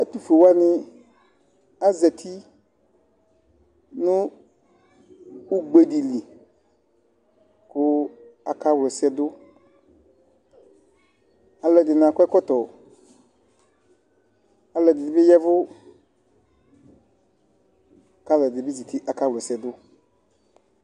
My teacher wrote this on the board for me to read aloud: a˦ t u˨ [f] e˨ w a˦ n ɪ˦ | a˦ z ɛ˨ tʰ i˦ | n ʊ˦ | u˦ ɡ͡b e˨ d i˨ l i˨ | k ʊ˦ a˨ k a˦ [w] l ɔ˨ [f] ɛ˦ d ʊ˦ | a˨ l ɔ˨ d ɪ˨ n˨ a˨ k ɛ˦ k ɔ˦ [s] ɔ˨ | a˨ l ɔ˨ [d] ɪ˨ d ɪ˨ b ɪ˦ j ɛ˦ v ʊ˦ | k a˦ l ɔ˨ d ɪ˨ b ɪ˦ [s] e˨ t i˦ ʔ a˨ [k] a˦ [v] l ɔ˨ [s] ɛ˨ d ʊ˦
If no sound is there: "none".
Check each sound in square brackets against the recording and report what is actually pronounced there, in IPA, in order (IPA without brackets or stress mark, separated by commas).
f, w, s, t, d, z, k, w, s